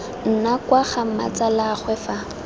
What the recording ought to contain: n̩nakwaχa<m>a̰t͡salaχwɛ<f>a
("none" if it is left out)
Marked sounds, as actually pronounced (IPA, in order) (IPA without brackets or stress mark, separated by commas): m, f